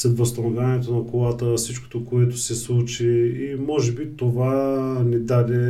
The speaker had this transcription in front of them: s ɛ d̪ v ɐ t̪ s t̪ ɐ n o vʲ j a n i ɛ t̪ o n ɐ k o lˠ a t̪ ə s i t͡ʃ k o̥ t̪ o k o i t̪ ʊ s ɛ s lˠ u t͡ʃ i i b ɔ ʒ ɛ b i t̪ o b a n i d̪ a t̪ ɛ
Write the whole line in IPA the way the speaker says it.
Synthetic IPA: s ɛ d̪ v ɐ s t̪ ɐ n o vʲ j a n i ɛ t̪ o n ɐ k o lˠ a t̪ ə s i t͡ʃ k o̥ t̪ o k o ɛ t̪ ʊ s ɛ s lˠ u t͡ʃ i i m ɔ ʒ ɛ b i t̪ o v a n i d̪ a d̪ ɛ